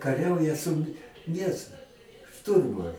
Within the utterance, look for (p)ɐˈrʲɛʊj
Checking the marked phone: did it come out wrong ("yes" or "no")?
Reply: yes